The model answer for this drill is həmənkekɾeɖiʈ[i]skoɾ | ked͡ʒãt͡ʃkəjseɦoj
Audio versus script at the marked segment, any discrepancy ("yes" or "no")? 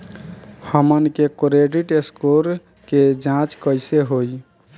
yes